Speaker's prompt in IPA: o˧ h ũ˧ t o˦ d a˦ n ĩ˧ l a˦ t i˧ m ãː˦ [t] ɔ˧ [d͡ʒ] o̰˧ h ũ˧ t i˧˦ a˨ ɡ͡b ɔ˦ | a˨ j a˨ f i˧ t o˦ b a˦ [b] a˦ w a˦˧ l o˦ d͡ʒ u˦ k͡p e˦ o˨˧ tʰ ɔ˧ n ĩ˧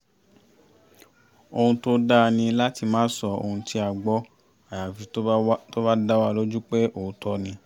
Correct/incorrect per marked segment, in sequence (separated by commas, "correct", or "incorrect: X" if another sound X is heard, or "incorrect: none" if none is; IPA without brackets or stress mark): incorrect: s, incorrect: none, incorrect: d